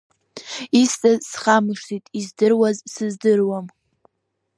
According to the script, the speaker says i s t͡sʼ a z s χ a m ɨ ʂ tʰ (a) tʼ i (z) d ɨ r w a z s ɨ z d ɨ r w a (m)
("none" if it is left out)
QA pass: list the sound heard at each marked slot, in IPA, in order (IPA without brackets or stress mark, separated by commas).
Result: i, z, m